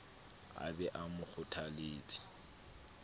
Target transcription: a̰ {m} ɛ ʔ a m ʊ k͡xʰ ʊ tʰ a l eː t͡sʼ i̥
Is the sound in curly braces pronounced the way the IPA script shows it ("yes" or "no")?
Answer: no